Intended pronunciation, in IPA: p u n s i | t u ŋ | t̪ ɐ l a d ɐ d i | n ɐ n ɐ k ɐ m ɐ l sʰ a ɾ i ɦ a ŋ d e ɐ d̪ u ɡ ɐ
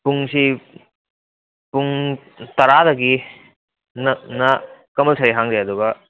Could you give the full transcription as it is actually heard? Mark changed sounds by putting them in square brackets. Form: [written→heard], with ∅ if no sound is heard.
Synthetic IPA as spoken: p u [n→ŋ] s i | [t→p] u ŋ | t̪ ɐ [l→ɾ] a d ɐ [d→ɡ] i | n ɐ n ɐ k ɐ m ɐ l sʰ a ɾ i ɦ a ŋ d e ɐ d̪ u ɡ ɐ